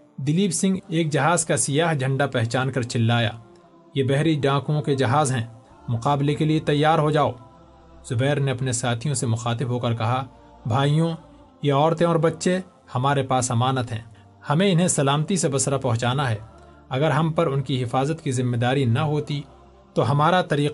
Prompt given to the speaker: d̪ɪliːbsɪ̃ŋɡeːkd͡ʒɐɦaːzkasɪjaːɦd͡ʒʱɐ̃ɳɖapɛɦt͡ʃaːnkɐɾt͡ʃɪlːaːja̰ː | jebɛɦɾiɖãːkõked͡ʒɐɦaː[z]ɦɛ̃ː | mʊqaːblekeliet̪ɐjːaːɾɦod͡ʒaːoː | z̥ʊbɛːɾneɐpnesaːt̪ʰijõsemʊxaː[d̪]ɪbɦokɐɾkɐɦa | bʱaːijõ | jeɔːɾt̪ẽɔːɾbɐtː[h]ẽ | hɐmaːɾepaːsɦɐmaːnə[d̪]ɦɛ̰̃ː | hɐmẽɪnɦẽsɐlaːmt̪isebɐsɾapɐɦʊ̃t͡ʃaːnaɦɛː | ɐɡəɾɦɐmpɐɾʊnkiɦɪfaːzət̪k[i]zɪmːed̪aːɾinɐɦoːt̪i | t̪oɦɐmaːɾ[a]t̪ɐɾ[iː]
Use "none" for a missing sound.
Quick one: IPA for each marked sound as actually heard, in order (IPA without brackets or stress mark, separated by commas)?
z, t̪, ʃ, t̪, i, a, iː